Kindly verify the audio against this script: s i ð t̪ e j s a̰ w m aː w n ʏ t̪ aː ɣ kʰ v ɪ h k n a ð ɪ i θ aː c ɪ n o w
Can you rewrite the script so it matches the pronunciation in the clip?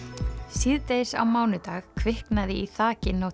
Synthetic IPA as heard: s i ð t̪ e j s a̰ w m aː w n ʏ t̪ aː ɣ kʰ v ɪ h k n a ð ɪ i θ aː c ɪ n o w

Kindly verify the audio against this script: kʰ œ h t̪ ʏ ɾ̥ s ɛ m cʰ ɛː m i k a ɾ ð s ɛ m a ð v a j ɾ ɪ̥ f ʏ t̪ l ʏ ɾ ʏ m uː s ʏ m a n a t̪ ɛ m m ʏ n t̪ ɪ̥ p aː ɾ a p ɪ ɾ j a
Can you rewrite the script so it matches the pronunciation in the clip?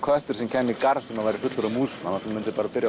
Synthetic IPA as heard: kʰ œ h t̪ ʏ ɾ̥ s ɛ m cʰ ɛː m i k a ɾ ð s ɛ m a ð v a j ɾ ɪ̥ f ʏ t̪ l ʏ ɾ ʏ m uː s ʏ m a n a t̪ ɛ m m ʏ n t̪ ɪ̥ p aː ɾ a p ɪ ɾ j a

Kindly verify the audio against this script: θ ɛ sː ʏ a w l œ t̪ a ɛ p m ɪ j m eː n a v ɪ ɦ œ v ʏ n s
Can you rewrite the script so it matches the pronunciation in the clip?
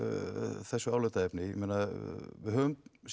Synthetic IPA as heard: θ ɛ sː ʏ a w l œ t̪ a ɛ p n ɪ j m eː n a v ɪ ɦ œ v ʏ m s

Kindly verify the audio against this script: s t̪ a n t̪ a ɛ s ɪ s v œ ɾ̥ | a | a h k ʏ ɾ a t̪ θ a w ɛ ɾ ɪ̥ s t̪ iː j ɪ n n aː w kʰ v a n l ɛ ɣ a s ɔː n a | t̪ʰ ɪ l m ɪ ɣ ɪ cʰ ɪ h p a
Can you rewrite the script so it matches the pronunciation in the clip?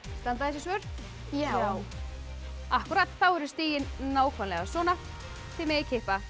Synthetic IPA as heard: s t̪ a n t̪ a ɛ s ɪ s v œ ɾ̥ | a | a h k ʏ ɾ a t̪ θ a w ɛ ɾ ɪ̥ s t̪ iː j ɪ n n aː w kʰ v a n l ɛ ɣ a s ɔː n a | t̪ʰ ɪ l m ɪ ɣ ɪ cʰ ɪ h p a

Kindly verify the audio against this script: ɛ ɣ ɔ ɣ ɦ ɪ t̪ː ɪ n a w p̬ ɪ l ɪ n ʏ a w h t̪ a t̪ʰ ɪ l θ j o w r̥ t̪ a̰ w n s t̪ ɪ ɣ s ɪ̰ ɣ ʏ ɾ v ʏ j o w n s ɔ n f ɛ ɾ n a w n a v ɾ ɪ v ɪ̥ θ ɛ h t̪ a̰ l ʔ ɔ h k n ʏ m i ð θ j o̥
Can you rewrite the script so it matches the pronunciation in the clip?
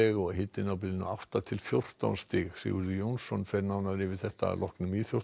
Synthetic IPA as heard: ɛ ɣ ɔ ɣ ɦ ɪ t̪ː ɪ n a w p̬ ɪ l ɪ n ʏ a w h t̪ a t̪ʰ ɪ l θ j o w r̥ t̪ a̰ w n s t̪ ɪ ɣ s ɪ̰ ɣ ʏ ɾ ð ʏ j o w n s ɔ n f ɛ ɾ n a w n a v ɾ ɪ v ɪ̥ θ ɛ h t̪ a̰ l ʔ ɔ h k n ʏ m i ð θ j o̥

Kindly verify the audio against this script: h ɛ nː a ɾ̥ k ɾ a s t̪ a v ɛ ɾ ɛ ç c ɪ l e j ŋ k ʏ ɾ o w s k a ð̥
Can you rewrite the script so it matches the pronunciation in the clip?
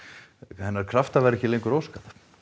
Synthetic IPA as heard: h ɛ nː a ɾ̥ kʰ ɾ a f t̪ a v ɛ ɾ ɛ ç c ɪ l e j ŋ k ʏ ɾ o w s k a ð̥

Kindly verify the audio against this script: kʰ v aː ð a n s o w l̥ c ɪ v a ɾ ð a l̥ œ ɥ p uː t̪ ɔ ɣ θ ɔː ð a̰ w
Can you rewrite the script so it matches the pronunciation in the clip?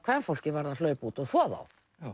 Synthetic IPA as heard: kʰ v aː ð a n f o w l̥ c ɪ v a ɾ ð a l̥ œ ɥ p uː t̪ ɔ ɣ θ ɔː ð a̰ w

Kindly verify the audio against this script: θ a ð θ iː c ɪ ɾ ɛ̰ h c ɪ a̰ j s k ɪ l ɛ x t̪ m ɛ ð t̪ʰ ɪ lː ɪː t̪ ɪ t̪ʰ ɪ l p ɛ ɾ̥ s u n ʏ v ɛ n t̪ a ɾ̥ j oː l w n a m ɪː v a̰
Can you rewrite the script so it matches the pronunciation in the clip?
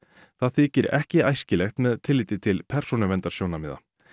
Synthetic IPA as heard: θ a ð θ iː c ɪ ɾ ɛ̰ h c ɪ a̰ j s c ɪ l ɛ x t̪ m ɛ ð t̪ʰ ɪ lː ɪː t̪ ɪ t̪ʰ ɪ l pʰ ɛ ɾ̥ s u n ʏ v ɛ n t̪ a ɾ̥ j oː w n a m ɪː ð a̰

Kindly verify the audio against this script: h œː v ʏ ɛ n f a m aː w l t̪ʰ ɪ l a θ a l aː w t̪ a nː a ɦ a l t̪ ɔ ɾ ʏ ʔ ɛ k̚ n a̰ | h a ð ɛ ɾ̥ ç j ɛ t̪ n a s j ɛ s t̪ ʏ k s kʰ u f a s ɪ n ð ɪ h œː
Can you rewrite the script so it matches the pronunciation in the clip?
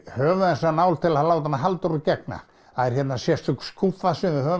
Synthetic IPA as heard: h œː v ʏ ɛ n s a n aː w l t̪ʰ ɪ l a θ a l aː w t̪ a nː a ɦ a l t̪ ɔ ɾ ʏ c ɛ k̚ n a̰ | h a ð ɛ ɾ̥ ç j ɛ t̪ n a s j ɛ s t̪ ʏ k s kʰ u f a s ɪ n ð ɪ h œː

